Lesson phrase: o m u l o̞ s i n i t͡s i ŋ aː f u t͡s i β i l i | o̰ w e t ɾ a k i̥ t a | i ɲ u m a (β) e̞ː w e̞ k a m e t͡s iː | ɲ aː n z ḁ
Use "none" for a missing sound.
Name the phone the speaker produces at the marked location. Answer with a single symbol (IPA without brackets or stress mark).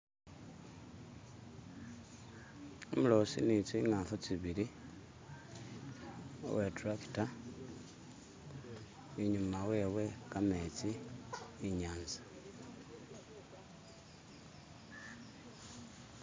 w